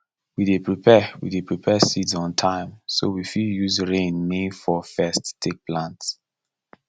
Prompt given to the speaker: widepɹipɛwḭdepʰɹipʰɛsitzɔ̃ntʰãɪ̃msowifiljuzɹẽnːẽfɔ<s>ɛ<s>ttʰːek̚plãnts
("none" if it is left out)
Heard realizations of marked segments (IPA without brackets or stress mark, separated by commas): f, s